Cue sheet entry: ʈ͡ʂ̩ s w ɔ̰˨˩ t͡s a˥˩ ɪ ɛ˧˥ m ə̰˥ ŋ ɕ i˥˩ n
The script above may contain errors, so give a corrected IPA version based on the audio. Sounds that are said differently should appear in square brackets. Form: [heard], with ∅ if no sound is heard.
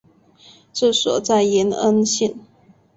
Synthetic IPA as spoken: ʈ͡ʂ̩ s w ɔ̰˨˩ t͡s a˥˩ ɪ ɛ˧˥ [n] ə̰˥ [n] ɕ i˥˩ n

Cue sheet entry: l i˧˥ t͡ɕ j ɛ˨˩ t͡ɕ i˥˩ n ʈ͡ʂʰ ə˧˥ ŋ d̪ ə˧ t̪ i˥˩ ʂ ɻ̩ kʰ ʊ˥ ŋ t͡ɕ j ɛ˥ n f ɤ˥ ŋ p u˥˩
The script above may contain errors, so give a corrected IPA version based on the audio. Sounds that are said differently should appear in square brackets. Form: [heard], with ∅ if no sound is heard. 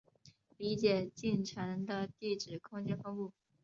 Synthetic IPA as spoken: l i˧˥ t͡ɕ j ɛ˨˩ t͡ɕ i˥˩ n ʈ͡ʂʰ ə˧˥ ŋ d̪ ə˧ t̪ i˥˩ [ʈ͡ʂ] ɻ̩ kʰ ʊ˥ ŋ t͡ɕ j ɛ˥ n f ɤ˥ ŋ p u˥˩

